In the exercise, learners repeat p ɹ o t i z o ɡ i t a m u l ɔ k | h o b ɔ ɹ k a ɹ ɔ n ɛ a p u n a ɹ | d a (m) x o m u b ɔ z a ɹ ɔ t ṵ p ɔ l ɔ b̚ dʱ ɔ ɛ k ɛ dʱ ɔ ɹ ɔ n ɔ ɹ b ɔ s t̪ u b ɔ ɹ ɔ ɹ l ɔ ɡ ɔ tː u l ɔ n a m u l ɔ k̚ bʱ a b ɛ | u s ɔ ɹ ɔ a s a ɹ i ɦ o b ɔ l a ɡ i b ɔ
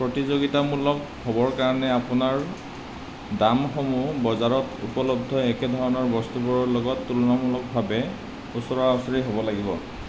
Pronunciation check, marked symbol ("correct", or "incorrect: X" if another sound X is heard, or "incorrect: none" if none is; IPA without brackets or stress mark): correct